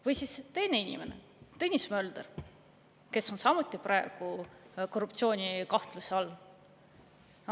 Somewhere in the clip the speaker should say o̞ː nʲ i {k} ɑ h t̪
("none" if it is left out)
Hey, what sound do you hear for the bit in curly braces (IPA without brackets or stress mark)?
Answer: k